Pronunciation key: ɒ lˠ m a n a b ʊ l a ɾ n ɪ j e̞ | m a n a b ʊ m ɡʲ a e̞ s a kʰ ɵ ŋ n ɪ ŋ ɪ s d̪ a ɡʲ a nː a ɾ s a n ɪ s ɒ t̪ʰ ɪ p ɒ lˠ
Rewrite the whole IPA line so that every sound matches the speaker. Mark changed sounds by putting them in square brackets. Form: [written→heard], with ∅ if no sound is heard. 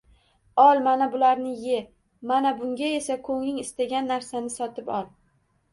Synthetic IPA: ɒ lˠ m a n a b ʊ l a ɾ n ɪ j e̞ | m a n a b ʊ [m→ŋ] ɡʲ a e̞ s a kʰ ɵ ŋ n ɪ ŋ ɪ s [d̪→t̪] a ɡʲ a nː a ɾ s a n ɪ s ɒ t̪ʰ ɪ p ɒ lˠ

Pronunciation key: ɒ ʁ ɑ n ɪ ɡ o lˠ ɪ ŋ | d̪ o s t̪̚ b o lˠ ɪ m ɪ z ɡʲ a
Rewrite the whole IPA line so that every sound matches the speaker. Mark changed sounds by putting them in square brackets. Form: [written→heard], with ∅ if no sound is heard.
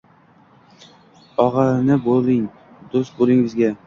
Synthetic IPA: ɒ ʁ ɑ n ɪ [ɡ→b] o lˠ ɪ ŋ | d̪ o s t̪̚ b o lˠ ɪ [m→ŋ] ɪ z ɡʲ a

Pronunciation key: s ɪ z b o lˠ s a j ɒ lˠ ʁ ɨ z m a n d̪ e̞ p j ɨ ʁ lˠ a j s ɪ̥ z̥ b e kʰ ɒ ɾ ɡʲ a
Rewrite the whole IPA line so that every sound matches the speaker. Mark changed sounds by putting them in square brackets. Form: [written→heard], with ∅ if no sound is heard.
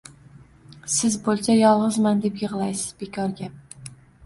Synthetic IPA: s ɪ z b o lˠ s a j ɒ lˠ ʁ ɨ z m a n d̪ e̞ p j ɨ ʁ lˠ a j s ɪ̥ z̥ b e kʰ ɒ ɾ ɡʲ a

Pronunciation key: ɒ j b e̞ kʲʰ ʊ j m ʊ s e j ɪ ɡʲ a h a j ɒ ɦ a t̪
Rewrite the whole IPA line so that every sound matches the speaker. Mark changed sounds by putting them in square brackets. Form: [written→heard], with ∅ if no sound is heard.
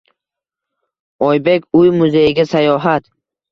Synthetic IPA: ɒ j b e̞ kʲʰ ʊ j m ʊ [s→z] e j ɪ ɡʲ a [h→s] a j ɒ ɦ a t̪

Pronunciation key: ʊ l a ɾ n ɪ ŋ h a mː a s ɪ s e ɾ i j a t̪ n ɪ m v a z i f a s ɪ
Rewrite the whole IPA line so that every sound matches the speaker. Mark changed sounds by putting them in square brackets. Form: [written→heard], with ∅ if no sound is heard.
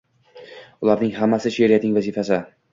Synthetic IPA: ʊ l a ɾ n ɪ ŋ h a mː a s ɪ [s→ʃ] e ɾ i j a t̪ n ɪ [m→ŋ] v a z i f a s ɪ

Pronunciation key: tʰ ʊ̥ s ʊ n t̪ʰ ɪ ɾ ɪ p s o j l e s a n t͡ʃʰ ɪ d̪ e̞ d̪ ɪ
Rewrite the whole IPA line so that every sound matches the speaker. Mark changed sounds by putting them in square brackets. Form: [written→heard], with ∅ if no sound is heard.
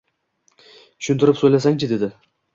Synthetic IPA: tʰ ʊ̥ [s→ʃ] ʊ n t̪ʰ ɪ ɾ ɪ p s o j l [e→a] s a [n→ŋ] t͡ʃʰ ɪ d̪ e̞ d̪ ɪ

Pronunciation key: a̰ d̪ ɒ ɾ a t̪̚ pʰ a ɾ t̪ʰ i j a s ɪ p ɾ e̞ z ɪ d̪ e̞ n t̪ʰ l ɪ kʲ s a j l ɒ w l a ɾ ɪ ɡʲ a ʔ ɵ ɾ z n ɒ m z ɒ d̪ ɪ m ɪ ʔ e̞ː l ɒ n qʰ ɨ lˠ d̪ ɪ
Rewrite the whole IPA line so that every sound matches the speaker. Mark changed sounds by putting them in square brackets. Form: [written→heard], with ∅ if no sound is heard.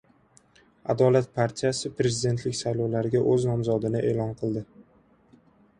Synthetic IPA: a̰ d̪ ɒ [ɾ→l] a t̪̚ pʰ a ɾ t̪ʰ i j a s ɪ p ɾ e̞ z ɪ d̪ e̞ n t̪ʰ l ɪ kʲ s a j l ɒ w l a ɾ ɪ ɡʲ a ʔ ɵ [ɾ→∅] z n ɒ m z ɒ d̪ ɪ [m→n] ɪ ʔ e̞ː l ɒ n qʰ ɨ lˠ d̪ ɪ

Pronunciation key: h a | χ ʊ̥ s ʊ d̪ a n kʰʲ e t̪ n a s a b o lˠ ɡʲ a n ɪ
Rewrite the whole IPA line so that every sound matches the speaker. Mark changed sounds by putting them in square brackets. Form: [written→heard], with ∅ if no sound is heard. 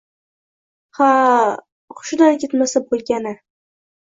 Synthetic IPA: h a | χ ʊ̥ [s→ʃ] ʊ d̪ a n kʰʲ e t̪ [n→m] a s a b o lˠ ɡʲ a n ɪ

